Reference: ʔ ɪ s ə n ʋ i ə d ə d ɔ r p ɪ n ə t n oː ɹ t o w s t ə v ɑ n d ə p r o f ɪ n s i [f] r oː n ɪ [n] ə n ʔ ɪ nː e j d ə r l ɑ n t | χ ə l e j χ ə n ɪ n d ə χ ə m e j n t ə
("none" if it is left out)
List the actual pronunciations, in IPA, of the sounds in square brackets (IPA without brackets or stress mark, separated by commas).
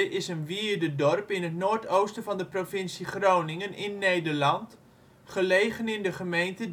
χ, ŋ